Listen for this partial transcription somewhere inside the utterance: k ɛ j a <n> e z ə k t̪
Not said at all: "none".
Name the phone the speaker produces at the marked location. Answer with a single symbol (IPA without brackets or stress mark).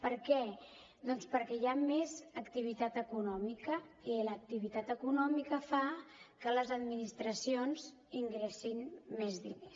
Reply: m